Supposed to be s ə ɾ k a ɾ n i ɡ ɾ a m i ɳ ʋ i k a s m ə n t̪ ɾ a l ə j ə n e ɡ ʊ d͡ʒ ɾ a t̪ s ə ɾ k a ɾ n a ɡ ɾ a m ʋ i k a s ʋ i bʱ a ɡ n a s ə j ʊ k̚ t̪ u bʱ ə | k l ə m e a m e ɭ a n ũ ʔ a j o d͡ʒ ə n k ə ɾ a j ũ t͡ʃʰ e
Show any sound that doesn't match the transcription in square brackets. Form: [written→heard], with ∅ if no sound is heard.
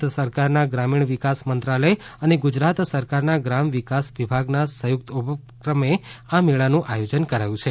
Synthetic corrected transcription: s ə ɾ k a ɾ n [i→a] ɡ ɾ a m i ɳ ʋ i k a s m ə n t̪ ɾ a l ə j ə n e ɡ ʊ d͡ʒ ɾ a t̪ s ə ɾ k a ɾ n a ɡ ɾ a m ʋ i k a s ʋ i bʱ a ɡ n a s ə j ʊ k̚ t̪ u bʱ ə | k [l→ɾ] ə m e a m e ɭ a n ũ ʔ a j o d͡ʒ ə n k ə ɾ a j ũ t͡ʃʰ e